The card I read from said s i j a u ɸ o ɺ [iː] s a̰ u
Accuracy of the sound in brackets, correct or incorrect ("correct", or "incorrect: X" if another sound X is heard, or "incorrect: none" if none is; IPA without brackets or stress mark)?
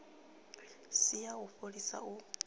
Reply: incorrect: i